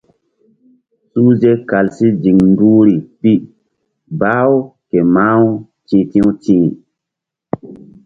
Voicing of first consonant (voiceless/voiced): voiceless